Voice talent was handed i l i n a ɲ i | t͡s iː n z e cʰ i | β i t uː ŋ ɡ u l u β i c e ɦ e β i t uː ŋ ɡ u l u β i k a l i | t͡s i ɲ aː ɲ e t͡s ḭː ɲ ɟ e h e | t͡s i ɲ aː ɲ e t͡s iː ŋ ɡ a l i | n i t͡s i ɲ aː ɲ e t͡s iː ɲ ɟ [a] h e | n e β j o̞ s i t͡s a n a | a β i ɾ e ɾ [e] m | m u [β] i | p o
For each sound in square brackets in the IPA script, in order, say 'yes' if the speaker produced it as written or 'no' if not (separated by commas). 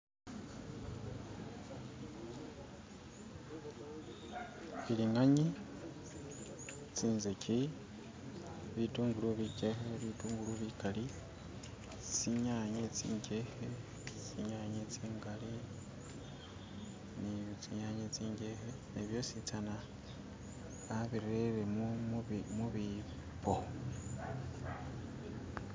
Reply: no, yes, yes